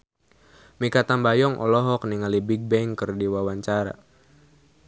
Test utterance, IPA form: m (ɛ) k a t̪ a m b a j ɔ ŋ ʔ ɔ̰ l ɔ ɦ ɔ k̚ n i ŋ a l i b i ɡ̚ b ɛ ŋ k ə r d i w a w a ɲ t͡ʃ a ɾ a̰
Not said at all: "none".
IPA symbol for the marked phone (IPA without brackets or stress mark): i